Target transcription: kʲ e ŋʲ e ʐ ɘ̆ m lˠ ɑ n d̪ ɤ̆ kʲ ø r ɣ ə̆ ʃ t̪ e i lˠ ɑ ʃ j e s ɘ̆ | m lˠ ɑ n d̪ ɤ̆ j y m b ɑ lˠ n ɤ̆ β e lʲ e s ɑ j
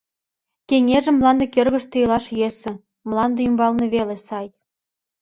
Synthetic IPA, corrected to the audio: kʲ e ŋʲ e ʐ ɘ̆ m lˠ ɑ n d̪ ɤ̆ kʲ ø r ɣ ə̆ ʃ t̪ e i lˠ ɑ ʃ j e s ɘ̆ | m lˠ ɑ n d̪ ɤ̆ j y m b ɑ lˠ n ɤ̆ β e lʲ e s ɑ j